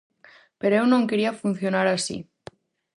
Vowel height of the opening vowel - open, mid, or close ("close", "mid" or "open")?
mid